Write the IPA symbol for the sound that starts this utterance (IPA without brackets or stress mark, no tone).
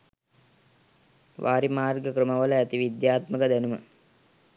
ʋ